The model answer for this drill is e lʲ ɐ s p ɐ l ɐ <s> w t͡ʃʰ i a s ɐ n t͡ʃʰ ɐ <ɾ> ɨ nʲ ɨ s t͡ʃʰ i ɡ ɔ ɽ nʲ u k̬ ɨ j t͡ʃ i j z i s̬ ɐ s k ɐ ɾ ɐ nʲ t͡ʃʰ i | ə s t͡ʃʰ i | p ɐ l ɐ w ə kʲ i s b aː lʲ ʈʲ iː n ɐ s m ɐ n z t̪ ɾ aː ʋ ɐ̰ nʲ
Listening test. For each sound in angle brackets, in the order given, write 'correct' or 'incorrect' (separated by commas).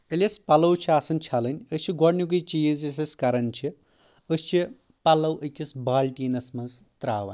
incorrect, incorrect